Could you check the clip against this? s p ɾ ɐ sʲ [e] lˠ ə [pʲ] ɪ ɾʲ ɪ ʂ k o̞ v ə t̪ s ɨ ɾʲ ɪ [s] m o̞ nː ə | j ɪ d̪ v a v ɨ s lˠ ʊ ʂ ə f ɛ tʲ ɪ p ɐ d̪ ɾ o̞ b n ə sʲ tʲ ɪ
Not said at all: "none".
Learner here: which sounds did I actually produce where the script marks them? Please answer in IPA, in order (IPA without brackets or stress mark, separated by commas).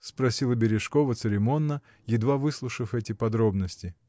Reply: i, bʲ, none